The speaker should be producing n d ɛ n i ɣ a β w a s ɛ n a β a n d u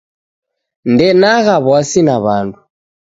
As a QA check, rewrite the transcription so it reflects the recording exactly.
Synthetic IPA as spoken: n d ɛ n a ɣ a β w a s i n a β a n d u